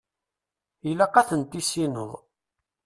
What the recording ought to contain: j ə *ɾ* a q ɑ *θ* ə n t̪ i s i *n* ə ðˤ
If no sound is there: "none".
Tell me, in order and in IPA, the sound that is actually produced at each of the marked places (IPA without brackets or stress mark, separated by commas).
l, θ, n